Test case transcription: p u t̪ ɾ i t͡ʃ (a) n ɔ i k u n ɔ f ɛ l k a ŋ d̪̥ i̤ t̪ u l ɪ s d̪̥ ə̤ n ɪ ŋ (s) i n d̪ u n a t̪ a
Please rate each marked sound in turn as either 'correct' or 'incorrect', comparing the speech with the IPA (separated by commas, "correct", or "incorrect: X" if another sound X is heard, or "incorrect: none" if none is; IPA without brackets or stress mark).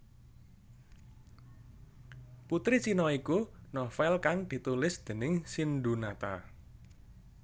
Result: incorrect: i, correct